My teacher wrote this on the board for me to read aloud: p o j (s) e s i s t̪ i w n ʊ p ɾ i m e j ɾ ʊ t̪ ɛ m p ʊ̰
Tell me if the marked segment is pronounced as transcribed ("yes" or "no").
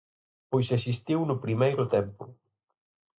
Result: yes